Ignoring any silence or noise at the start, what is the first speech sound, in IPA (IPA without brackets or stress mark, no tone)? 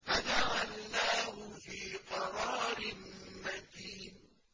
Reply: f